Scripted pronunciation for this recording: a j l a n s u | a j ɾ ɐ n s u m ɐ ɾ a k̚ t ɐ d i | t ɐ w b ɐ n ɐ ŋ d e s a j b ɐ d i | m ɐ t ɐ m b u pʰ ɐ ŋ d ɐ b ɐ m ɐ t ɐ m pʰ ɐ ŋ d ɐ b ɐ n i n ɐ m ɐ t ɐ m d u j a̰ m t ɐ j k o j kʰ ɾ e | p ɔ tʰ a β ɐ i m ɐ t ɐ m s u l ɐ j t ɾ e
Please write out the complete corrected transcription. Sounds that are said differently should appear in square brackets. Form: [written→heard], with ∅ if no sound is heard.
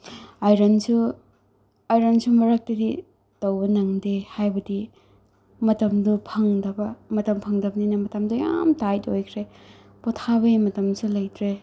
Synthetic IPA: a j [l→ɾ] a n s u | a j ɾ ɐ n s u m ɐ ɾ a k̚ t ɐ d i | t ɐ w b ɐ n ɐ ŋ d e [s→h] a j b ɐ d i | m ɐ t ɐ m [b→d] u pʰ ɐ ŋ d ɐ b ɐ m ɐ t ɐ m pʰ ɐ ŋ d ɐ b ɐ n i n ɐ m ɐ t ɐ m d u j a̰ m t [ɐ→a] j [k→t] o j kʰ ɾ e | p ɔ tʰ a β ɐ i m ɐ t ɐ m s u l ɐ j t ɾ e